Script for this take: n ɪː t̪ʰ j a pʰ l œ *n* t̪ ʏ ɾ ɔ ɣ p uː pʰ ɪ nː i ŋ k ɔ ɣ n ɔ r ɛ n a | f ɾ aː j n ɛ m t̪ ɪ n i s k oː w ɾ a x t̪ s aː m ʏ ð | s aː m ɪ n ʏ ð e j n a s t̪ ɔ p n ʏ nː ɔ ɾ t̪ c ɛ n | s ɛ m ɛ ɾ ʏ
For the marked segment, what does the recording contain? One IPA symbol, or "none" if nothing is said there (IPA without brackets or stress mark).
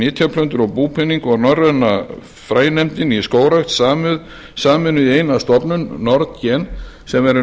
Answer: n